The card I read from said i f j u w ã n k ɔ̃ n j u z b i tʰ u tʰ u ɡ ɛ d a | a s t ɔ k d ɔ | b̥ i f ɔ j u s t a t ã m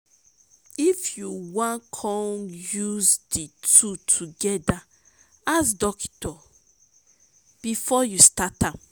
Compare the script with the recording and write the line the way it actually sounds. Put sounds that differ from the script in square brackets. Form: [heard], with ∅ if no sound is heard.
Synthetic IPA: i f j u w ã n [kʰ] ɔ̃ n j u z [d] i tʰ u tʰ u ɡ ɛ d a | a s [d] ɔ k [t] ɔ | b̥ i f ɔ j u s t a t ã m